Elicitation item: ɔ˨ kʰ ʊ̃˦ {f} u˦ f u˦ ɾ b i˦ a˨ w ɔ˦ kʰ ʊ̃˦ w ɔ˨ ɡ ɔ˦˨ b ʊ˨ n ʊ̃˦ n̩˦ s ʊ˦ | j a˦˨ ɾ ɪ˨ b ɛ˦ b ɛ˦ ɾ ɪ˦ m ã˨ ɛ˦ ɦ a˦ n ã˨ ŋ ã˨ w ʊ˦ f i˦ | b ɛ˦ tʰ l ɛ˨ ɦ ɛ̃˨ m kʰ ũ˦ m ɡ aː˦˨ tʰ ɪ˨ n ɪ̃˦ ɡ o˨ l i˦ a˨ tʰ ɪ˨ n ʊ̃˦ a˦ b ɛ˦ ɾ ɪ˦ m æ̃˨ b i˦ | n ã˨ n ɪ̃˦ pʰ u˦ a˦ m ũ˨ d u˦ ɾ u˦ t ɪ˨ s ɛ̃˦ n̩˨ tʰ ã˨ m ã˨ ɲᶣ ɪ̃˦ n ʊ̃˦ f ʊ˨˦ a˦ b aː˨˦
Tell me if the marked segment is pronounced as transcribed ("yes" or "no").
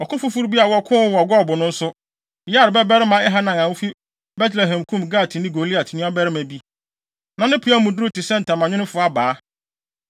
yes